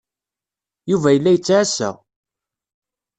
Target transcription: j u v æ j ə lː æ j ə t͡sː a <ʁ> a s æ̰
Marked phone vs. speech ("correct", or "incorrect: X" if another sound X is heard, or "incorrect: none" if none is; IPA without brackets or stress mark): incorrect: ʕ